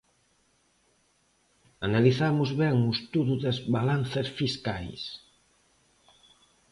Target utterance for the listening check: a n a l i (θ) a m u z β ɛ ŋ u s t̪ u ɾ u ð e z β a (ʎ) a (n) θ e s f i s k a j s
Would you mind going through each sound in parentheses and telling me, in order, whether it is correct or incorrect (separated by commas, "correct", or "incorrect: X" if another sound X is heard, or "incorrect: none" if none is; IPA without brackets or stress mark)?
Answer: correct, incorrect: l, correct